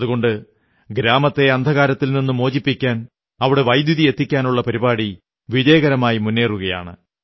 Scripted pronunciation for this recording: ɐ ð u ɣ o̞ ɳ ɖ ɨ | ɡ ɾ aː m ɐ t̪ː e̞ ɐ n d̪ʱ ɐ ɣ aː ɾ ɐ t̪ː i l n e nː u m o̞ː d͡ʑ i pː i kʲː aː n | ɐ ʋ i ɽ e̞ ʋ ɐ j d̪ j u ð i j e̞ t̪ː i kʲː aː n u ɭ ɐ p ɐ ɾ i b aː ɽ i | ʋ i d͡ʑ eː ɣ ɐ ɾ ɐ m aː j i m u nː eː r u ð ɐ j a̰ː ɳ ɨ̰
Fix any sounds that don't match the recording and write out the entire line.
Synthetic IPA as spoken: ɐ ð u ɣ o̞ ɳ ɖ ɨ | ɡ ɾ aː m ɐ t̪ː e̞ ɐ n d̪ʱ ɐ ɣ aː ɾ ɐ t̪ː i l n i nː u m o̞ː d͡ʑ i pː i kʲː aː n | ɐ ʋ i ɽ e̞ ʋ ɐ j d̪ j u ð i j e̞ t̪ː i kʲː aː n u ɭː ɐ p ɐ ɾ i b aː ɽ i | ʋ i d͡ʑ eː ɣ ɐ ɾ ɐ m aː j i m u nː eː r u ɣ ɐ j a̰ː ɳ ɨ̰

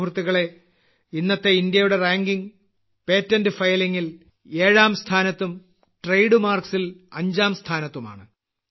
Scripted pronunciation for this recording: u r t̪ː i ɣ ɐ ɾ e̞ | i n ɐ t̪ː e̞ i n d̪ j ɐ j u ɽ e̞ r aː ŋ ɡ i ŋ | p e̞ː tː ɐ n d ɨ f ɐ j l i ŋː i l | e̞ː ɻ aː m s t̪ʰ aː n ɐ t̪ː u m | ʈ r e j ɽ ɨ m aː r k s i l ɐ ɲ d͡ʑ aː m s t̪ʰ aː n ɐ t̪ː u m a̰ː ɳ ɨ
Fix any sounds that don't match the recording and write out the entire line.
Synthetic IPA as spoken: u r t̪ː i ɣ ɐ ɭ e̞ | i nː ɐ t̪ː e̞ i n d̪ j ɐ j u ɽ e̞ r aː ŋ ɡ i ŋ | p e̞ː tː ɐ n d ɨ f ɐ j l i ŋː i l | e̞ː ɻ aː m s t̪ʰ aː n ɐ t̪ː u m | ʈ r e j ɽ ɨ m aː r k s i l ɐ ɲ d͡ʑ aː m s t̪ʰ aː n ɐ t̪ː u m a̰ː ɳ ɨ

